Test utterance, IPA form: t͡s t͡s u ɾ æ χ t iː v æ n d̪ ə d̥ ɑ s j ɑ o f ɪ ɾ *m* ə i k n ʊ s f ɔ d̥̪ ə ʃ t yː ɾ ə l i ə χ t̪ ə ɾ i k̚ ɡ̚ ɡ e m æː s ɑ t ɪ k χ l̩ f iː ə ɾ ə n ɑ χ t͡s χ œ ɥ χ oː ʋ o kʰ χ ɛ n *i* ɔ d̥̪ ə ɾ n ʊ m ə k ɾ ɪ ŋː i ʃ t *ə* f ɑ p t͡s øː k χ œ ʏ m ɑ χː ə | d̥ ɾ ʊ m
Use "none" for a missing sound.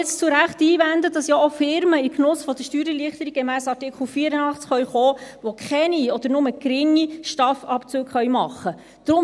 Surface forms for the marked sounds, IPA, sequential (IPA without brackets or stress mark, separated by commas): m, i, ɑ